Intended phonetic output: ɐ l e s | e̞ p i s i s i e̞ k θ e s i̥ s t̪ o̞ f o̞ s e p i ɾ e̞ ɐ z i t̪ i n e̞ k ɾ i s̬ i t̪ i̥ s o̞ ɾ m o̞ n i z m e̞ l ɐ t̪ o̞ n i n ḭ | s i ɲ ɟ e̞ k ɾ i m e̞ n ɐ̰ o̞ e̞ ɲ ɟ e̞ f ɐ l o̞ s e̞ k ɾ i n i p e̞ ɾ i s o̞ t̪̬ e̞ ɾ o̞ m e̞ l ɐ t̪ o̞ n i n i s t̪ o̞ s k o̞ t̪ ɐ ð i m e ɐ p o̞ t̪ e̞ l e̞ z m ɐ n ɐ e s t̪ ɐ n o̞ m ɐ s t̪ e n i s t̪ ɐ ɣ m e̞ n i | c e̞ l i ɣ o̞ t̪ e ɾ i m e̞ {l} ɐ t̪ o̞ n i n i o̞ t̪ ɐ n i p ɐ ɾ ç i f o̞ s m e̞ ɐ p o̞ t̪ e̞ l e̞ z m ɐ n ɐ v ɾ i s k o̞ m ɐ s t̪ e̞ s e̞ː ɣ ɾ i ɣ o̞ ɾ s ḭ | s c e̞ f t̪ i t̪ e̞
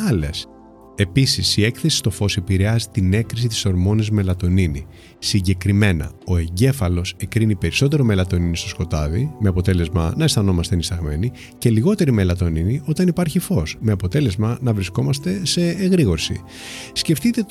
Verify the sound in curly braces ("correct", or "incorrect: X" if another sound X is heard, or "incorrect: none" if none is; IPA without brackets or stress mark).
correct